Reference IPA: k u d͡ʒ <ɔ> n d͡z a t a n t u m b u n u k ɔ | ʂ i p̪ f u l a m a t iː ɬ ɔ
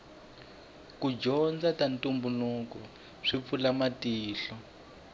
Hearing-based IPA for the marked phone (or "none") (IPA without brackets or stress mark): ɔ